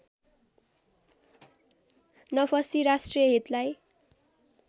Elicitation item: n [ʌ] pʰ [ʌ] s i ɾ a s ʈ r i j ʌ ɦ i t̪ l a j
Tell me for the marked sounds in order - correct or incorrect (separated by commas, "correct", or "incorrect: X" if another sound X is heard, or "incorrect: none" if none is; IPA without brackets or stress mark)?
correct, correct